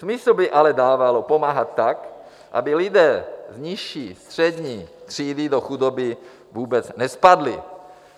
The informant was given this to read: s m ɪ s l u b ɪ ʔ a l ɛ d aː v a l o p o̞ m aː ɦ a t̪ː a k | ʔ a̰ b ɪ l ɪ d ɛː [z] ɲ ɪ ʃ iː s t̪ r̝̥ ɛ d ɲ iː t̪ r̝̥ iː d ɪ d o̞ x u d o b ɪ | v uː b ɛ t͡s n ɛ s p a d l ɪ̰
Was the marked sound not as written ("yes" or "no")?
no